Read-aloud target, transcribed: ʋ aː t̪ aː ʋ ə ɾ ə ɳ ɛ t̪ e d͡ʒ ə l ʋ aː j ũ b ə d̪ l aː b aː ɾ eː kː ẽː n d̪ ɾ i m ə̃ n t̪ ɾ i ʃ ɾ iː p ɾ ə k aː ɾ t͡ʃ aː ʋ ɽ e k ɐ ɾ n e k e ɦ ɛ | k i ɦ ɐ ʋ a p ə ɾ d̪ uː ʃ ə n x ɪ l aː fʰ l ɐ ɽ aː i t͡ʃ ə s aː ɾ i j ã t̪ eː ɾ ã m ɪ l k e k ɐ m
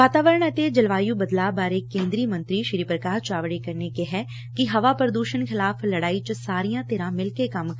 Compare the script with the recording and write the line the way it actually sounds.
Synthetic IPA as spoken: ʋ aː t̪ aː ʋ ə ɾ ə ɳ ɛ t̪ e d͡ʒ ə l ʋ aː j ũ b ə d̪ l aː b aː ɾ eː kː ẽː n d̪ ɾ i m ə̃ n t̪ ɾ i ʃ ɾ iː p ɾ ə k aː ɾ t͡ʃ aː ʋ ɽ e k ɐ ɾ n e k e ɦ ɛ | k i ɦ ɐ ʋ a p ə ɾ d̪ uː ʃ ə n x ɪ l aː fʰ l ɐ ɽ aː i t͡ʃ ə s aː ɾ i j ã t̪ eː ɾ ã m ɪ l k e k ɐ m

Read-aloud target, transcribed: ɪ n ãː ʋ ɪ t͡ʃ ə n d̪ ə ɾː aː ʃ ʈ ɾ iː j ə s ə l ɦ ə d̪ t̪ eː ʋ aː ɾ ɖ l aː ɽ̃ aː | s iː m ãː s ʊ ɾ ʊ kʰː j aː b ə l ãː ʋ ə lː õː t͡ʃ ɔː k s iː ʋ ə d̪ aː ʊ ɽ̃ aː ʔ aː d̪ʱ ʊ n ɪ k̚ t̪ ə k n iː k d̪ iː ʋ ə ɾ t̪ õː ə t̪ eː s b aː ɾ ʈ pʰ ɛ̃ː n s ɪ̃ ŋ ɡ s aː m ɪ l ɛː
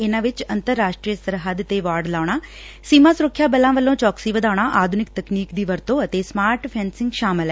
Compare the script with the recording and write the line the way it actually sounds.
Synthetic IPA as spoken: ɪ n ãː ʋ ɪ t͡ʃ ə n t̪ ə ɾː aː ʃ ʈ ɾ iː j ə s ə ɾ ɦ ə d̪ t̪ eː ʋ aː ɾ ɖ l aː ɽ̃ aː | s iː m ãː s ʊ ɾ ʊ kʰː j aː b ə l ãː ʋ ə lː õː t͡ʃ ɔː k s iː ʋ ə d̪ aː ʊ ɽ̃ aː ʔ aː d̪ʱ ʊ n ɪ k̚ t̪ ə k n iː k d̪ iː ʋ ə ɾ t̪ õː ə t̪ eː s m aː ɾ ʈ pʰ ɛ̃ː n s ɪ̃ ŋ ɡ ʃ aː m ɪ l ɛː

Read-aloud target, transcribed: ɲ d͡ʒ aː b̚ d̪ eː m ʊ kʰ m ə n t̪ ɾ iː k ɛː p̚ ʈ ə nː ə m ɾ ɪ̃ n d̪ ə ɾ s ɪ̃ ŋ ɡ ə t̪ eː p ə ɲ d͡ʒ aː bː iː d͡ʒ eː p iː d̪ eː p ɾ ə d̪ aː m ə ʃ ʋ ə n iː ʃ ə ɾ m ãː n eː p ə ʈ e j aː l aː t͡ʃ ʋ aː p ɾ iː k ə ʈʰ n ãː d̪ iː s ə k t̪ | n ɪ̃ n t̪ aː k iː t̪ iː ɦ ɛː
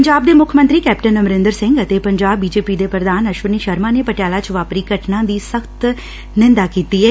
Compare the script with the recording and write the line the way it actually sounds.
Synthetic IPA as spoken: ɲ d͡ʒ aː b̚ d̪ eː m ʊ kʰ m ə n t̪ ɾ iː k ɛː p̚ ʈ ə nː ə m ɾ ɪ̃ n d̪ ə ɾ s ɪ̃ ŋ ɡ ə t̪ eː p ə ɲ d͡ʒ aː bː iː d͡ʒ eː p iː d̪ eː p ɾ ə d̪ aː n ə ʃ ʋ ə n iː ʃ ə ɾ m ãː n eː p ə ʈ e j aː l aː t͡ʃ ʋ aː p ɾ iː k ə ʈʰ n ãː d̪ iː s ə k t̪ | n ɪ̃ n d̪ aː k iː t̪ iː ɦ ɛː

